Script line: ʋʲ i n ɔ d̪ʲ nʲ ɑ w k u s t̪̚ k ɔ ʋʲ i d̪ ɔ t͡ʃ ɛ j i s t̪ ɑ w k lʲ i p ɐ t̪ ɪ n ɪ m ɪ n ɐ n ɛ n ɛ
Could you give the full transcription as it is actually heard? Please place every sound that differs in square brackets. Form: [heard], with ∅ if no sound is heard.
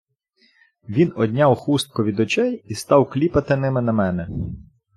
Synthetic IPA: ʋʲ i n ɔ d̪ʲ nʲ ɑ w [x] u s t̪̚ k ɔ ʋʲ i d̪ ɔ t͡ʃ ɛ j i s t̪ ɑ w k lʲ i p ɐ t̪ ɪ n ɪ m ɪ n ɐ [m] ɛ n ɛ